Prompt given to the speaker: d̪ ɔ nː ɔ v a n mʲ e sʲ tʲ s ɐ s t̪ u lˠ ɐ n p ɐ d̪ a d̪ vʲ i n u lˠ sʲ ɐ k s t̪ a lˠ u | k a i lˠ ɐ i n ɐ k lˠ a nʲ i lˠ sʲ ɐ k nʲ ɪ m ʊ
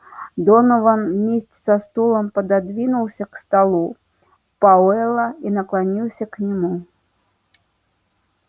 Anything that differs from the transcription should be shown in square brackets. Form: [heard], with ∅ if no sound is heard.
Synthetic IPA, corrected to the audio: d̪ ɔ [n] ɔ v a n mʲ e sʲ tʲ s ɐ s t̪ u lˠ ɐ [m] p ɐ d̪ a d̪ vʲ i n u lˠ sʲ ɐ k s t̪ a lˠ u | [p] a [ɛ] lˠ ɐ i n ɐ k lˠ a nʲ i lˠ sʲ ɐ k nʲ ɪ m [u]